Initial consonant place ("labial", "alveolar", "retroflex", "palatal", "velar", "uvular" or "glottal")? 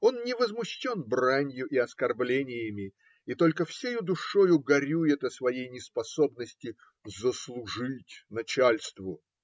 alveolar